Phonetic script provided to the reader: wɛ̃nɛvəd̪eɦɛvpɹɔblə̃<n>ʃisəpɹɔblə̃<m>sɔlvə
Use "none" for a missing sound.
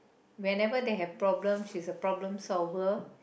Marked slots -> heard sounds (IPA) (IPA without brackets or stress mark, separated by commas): m, m